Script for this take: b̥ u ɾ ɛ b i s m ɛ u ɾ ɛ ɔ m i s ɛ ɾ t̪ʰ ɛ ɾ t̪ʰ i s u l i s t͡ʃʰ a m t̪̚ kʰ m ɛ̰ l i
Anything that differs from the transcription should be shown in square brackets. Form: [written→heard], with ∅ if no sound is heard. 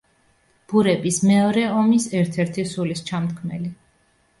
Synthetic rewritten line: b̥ u ɾ ɛ b i s m ɛ [u→ɔ] ɾ ɛ ɔ m i s ɛ ɾ t̪ʰ ɛ ɾ t̪ʰ i s u l i s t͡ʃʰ a m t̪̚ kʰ m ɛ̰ l i